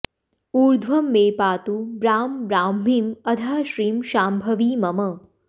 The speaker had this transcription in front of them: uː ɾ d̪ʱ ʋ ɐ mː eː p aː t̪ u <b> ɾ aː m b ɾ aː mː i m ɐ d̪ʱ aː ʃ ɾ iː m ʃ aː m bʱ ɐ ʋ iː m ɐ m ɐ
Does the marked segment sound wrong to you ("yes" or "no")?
no